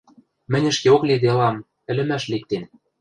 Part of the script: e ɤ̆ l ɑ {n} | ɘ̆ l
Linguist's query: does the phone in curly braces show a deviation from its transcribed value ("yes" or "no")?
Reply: yes